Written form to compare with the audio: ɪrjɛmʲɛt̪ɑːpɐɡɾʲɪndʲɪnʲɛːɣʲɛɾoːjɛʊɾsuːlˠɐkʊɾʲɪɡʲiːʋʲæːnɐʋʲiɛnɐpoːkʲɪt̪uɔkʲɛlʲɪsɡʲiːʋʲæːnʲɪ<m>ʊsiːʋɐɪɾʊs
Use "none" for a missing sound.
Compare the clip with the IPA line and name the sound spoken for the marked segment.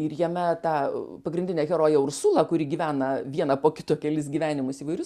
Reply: m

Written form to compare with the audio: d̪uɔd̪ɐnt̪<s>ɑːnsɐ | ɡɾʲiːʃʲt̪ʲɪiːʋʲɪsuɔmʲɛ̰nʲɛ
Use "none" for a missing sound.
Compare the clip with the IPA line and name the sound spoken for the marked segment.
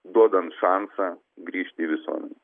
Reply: ʃ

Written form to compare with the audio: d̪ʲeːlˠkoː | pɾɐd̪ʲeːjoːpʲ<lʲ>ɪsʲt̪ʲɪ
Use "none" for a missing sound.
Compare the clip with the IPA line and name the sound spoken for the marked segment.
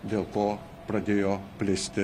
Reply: lʲ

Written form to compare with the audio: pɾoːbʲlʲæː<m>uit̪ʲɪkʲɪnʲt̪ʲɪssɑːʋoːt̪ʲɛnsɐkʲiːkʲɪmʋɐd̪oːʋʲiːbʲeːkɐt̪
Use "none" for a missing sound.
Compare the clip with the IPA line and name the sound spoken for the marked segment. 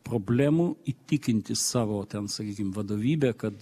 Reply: m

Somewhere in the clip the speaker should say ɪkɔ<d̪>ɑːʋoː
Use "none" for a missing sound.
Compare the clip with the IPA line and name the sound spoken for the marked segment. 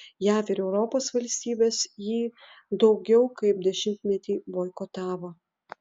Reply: t̪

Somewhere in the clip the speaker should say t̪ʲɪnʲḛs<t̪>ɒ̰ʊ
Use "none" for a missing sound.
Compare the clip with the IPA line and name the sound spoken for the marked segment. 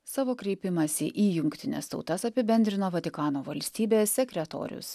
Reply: t̪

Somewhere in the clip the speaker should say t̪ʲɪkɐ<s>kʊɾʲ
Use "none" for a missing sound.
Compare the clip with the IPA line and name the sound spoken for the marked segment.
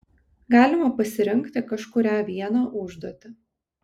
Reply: ʃ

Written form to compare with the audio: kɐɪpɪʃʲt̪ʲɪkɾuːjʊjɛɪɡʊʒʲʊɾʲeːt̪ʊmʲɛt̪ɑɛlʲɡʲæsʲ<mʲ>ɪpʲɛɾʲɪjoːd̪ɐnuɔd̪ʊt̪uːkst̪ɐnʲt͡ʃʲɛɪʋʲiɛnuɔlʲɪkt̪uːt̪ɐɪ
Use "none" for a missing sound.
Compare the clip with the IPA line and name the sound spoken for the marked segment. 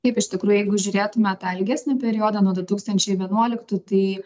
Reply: nʲ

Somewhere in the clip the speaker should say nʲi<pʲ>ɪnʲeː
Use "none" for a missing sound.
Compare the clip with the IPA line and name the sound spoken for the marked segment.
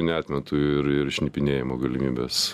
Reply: pʲ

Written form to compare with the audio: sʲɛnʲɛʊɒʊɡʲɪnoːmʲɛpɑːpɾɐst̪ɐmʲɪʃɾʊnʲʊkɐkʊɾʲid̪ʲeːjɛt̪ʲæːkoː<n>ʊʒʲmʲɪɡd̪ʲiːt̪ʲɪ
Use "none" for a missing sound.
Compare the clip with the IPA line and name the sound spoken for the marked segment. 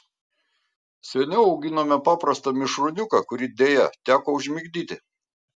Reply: none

